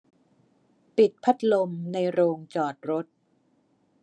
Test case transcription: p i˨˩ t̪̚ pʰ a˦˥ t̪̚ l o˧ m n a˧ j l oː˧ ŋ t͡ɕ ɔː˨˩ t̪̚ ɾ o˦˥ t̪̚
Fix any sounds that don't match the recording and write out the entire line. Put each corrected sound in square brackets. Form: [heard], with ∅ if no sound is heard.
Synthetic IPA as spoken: p i˨˩ t̪̚ pʰ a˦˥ t̪̚ l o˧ m n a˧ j [ɾ] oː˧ ŋ t͡ɕ ɔː˨˩ t̪̚ ɾ o˦˥ t̪̚